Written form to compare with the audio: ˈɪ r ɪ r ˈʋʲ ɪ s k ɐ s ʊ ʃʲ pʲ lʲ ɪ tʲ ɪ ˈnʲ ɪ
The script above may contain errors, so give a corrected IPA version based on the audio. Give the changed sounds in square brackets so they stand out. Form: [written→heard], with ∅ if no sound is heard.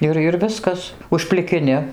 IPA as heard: ˈɪ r ɪ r ˈʋʲ ɪ s k ɐ s ʊ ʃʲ pʲ lʲ ɪ [tʲ→kʲ] ɪ ˈnʲ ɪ